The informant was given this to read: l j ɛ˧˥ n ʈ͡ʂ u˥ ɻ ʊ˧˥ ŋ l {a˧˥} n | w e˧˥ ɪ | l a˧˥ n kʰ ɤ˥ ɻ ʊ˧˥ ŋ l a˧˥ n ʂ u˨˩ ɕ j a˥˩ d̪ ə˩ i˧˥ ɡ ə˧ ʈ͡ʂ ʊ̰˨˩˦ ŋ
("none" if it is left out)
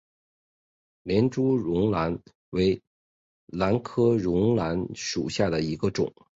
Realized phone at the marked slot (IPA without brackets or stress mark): a˧˥